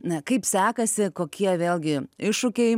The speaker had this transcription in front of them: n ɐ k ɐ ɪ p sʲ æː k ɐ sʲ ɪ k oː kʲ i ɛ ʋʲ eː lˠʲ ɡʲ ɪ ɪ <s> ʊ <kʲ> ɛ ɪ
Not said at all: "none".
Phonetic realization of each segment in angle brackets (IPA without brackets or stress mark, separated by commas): ʃ, kʲ